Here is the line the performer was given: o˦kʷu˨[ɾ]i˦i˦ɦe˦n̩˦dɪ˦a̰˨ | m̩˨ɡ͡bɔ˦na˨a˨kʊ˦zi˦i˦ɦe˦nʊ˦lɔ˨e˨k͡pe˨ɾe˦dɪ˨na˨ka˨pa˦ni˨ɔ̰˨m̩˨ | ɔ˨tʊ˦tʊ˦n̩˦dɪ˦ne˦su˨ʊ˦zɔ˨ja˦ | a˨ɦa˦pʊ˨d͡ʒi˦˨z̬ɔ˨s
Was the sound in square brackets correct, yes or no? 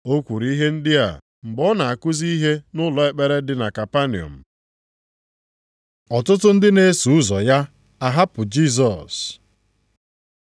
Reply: yes